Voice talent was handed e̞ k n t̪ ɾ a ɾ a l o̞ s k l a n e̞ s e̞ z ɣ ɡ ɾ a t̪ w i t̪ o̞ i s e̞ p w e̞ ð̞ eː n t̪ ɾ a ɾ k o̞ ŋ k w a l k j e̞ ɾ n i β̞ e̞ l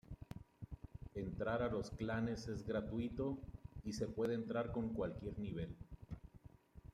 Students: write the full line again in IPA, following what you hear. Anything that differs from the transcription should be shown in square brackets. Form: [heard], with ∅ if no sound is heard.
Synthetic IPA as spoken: e̞ [∅] n t̪ ɾ a ɾ a l o̞ s k l a n e̞ s e̞ z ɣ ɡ ɾ a t̪ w i t̪ o̞ i s e̞ p w e̞ ð̞ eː n t̪ ɾ a ɾ k o̞ ŋ k w a l k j e̞ ɾ n i β̞ e̞ l